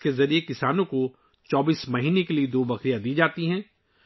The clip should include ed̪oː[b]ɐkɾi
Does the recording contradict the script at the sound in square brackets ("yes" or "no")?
no